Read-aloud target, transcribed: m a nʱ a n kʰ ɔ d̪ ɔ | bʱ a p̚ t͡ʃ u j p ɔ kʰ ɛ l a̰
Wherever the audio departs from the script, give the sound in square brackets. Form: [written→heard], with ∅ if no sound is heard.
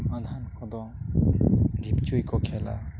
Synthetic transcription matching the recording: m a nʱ a n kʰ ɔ d̪ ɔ | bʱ [a→i] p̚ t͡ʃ u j [p→k] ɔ kʰ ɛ l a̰